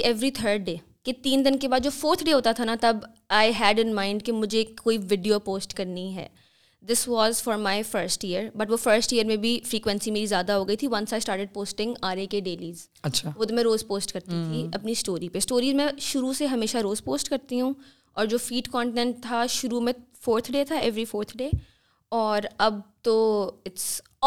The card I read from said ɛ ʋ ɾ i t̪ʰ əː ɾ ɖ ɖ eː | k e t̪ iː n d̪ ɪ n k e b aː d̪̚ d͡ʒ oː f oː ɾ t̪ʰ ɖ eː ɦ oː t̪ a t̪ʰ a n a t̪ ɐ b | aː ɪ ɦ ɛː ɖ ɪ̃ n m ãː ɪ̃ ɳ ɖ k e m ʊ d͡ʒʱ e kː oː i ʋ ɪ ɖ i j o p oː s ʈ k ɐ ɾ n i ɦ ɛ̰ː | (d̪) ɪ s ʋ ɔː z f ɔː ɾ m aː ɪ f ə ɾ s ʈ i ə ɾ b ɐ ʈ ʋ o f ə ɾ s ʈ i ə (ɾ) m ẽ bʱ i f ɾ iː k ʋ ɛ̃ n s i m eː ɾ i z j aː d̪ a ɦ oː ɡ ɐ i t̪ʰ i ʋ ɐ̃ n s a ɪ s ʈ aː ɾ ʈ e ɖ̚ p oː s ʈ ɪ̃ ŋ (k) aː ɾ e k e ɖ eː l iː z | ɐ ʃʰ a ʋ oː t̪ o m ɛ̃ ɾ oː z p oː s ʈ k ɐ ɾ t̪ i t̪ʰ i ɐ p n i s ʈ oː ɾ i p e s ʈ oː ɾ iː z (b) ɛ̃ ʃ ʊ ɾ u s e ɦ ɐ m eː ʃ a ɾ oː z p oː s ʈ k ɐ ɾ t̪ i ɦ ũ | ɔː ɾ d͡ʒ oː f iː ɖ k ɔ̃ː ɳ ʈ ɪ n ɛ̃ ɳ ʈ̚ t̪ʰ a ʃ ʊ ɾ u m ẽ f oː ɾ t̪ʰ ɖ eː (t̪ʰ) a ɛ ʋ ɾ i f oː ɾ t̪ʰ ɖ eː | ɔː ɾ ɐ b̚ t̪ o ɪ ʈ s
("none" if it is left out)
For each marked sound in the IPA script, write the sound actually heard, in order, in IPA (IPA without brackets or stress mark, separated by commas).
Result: d̪, ɾ, ɡ, m, t̪ʰ